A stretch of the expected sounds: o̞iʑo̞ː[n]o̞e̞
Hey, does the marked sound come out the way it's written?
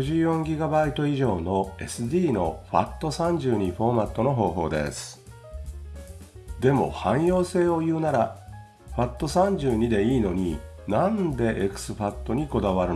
yes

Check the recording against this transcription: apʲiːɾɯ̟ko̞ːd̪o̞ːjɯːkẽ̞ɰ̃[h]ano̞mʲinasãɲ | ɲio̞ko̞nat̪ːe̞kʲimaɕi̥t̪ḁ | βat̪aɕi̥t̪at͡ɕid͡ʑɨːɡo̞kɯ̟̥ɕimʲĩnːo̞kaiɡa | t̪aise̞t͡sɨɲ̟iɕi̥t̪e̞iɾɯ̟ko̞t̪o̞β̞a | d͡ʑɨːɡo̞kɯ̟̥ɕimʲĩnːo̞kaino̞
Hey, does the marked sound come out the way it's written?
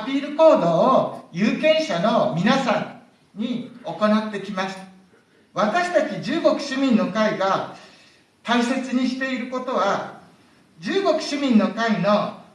no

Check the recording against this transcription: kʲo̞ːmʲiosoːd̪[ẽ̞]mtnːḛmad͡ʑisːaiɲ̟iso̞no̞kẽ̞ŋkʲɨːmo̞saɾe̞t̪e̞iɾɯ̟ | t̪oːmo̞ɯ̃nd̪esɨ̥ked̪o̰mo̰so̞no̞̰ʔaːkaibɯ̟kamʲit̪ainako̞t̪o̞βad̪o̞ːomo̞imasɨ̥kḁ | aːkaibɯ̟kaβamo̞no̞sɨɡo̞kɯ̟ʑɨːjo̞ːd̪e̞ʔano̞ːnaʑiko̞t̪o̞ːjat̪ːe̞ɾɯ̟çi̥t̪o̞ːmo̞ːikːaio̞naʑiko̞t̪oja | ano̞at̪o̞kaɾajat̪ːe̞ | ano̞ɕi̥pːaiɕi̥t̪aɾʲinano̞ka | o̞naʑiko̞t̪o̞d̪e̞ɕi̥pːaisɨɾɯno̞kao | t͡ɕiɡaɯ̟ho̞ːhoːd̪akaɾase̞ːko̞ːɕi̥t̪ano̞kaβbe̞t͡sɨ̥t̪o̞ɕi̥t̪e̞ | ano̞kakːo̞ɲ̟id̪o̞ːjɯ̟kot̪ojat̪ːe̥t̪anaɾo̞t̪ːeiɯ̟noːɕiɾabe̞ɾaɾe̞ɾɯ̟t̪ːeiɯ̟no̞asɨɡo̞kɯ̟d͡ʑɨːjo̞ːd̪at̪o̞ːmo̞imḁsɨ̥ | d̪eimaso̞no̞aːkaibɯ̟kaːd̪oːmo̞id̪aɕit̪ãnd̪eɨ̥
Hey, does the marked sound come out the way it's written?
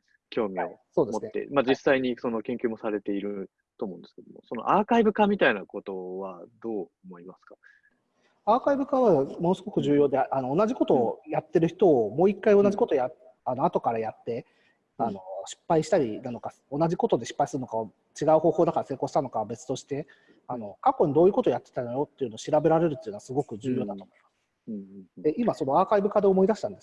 no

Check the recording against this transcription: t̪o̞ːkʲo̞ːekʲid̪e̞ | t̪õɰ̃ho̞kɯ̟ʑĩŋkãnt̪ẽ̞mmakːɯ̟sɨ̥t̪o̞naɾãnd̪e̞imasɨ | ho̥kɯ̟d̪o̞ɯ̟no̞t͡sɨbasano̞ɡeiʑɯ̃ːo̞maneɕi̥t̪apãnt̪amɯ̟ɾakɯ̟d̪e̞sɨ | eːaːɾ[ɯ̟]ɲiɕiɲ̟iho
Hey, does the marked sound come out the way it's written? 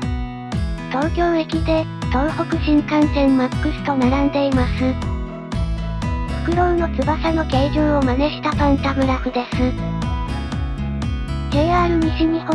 yes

